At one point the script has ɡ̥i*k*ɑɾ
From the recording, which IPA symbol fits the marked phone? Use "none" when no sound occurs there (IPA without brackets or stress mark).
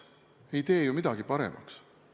p